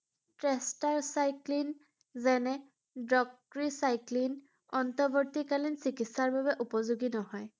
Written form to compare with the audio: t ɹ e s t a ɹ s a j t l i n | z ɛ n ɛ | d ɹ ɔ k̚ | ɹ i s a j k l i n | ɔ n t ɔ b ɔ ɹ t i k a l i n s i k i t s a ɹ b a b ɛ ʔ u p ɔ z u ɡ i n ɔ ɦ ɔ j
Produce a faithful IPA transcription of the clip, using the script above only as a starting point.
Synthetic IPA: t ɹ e s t a ɹ s a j k l i n | z ɛ n ɛ | d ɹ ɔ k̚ | ɹ i s a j k l i n | ɔ n t ɔ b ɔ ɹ t i k a l i n s i k i t s a ɹ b a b ɛ ʔ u p ɔ z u ɡ i n ɔ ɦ ɔ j